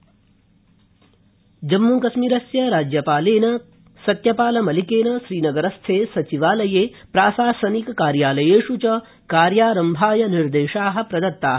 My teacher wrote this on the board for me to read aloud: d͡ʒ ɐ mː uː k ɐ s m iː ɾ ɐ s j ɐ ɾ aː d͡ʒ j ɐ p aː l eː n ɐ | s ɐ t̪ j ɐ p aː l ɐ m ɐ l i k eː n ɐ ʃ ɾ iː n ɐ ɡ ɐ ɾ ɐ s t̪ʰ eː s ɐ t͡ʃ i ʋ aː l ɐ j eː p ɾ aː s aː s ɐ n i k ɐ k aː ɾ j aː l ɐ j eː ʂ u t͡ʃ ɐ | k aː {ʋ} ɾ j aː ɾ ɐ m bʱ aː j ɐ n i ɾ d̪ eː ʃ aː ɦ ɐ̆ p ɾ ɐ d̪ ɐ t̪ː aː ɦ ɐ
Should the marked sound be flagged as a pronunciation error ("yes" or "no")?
yes